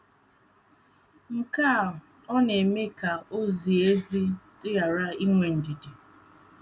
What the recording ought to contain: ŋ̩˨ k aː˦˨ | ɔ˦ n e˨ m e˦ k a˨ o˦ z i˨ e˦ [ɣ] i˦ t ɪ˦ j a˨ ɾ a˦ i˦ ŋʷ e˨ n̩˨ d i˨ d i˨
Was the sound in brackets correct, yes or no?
no